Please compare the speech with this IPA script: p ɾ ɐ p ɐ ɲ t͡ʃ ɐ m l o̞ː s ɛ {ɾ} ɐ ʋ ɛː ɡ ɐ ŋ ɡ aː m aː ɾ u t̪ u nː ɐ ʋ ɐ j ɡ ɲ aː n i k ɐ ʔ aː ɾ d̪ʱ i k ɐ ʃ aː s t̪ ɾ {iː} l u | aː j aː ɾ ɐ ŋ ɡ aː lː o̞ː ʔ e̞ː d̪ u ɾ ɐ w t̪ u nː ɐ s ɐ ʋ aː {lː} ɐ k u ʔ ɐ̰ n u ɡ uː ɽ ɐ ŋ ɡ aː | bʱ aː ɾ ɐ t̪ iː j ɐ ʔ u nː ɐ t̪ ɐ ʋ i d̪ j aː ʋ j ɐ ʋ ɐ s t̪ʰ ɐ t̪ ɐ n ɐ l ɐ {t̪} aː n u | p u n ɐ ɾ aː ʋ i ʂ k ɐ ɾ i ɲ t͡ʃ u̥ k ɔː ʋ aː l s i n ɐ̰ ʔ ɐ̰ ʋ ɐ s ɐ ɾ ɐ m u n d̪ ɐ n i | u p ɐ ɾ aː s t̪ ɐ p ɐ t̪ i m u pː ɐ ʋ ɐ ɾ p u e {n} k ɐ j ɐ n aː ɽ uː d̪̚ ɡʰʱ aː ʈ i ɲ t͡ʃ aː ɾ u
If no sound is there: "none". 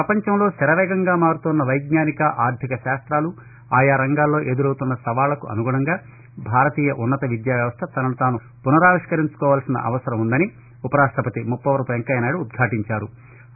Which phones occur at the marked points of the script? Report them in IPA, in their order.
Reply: ɾ, aː, l, t̪, ŋ

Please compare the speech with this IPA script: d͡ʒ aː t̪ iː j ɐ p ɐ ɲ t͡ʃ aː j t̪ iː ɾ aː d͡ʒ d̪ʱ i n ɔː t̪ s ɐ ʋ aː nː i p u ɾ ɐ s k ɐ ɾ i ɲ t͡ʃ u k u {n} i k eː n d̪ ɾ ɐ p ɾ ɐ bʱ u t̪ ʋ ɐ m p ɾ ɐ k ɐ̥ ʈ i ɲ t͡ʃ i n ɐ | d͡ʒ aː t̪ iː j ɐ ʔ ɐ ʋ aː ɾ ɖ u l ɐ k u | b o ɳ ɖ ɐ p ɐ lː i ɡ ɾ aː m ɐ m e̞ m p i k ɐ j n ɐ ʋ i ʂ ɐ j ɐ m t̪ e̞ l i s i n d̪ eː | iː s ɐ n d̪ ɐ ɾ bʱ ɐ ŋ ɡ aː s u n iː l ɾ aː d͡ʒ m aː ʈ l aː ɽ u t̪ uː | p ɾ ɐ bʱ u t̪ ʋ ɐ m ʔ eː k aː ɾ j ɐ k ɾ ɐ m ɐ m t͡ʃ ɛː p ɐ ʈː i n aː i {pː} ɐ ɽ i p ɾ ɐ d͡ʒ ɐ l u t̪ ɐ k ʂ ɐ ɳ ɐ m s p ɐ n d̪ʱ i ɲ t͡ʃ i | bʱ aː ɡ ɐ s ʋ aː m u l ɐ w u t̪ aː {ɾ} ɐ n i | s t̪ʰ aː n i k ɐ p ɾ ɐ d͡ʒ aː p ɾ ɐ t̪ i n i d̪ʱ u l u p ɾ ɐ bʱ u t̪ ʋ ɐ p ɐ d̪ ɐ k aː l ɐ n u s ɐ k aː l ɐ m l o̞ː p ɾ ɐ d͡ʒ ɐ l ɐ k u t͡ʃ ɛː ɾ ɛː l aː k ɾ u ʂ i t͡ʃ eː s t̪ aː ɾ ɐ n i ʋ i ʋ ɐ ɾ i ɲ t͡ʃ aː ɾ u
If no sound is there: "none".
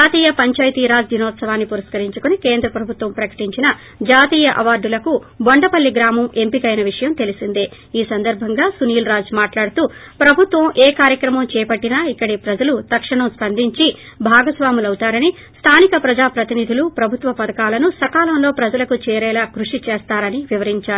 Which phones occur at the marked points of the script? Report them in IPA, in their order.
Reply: n, kː, ɾ

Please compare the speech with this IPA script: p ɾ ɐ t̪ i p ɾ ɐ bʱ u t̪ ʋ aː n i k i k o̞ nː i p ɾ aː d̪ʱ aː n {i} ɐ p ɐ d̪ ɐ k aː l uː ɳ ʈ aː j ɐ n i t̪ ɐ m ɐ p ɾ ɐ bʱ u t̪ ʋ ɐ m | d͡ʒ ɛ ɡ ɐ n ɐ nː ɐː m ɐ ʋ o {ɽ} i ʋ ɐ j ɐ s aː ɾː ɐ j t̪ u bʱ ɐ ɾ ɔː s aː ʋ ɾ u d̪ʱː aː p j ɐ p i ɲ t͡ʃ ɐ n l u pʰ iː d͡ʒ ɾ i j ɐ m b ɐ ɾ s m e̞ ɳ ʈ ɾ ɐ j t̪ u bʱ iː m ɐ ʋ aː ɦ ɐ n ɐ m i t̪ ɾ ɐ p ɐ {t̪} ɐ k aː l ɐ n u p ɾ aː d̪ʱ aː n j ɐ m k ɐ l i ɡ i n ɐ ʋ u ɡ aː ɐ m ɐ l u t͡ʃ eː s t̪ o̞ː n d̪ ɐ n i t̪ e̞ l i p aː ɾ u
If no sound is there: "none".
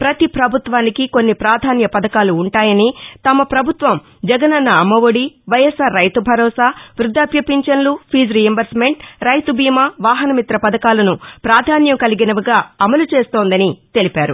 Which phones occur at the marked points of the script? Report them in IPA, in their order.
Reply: j, ɽ, d̪

